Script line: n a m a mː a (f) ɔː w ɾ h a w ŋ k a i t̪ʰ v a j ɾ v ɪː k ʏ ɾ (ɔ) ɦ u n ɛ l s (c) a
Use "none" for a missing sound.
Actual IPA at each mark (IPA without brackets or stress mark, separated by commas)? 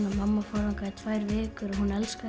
f, ɔ, k